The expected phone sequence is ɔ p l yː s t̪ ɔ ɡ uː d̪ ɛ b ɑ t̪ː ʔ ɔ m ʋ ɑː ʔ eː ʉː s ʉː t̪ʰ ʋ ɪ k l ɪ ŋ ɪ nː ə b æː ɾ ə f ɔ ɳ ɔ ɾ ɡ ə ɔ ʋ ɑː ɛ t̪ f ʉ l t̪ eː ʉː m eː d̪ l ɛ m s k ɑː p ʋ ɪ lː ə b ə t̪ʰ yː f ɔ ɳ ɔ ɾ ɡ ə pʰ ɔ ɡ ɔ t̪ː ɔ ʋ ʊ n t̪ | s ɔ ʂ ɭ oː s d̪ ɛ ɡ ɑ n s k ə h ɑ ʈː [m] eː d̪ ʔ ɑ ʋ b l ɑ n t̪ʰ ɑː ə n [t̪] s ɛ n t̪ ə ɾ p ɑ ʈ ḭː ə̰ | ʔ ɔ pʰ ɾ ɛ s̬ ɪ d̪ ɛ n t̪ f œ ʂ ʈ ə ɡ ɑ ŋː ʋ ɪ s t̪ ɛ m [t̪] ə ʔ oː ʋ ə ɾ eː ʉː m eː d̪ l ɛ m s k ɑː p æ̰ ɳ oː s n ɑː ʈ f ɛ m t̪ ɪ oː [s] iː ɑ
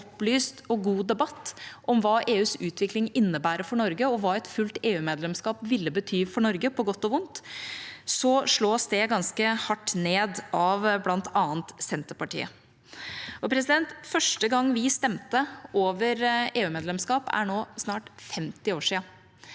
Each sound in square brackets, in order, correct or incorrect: incorrect, correct, correct, incorrect

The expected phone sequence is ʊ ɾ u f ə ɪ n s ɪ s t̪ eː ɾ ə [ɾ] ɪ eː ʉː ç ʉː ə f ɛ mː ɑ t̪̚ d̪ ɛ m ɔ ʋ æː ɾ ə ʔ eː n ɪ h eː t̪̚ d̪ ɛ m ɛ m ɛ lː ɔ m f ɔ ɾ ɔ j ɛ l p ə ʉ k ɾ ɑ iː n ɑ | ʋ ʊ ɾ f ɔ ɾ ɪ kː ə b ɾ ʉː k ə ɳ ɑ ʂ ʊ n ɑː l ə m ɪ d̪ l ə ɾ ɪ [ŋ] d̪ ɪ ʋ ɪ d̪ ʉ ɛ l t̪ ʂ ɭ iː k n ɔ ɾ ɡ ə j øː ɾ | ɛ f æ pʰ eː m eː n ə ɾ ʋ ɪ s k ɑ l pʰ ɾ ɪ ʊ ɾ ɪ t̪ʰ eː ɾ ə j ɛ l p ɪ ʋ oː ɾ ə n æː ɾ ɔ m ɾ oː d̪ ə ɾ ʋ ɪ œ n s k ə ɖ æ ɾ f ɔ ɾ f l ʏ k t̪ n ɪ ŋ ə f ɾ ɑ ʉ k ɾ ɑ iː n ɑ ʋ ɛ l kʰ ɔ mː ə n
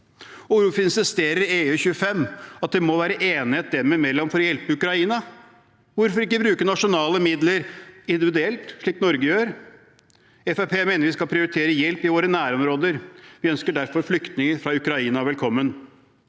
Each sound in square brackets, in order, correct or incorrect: correct, incorrect

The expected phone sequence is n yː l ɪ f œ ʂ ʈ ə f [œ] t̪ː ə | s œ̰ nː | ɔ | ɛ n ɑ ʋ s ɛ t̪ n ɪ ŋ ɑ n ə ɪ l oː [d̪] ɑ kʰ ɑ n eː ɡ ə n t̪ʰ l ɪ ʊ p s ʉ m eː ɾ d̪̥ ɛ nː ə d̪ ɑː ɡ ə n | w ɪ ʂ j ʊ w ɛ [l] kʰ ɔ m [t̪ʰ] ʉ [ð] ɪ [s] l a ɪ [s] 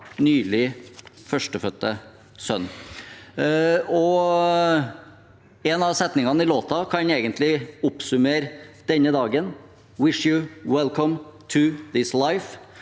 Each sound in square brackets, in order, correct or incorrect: correct, incorrect, correct, correct, correct, correct, incorrect

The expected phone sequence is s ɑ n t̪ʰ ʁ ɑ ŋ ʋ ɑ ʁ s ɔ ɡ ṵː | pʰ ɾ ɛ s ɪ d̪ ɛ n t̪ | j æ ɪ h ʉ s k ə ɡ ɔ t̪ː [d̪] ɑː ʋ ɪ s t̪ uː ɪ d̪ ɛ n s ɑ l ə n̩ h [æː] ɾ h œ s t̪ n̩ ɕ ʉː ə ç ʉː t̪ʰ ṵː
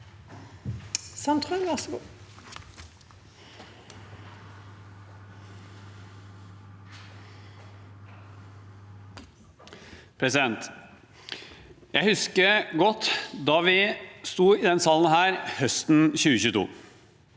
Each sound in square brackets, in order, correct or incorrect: correct, correct

